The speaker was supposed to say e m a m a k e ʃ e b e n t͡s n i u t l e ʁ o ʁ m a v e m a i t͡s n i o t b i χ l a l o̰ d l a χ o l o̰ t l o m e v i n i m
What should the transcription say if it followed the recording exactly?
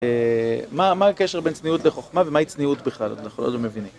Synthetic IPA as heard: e m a m a k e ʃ e b e n t͡s n i u t l e χ o χ m a v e m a i t͡s n i u t b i χ l a l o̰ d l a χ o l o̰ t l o m e v i n i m